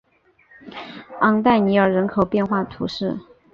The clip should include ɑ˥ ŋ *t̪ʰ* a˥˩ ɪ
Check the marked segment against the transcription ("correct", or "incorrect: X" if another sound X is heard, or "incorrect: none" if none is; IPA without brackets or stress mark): incorrect: t̪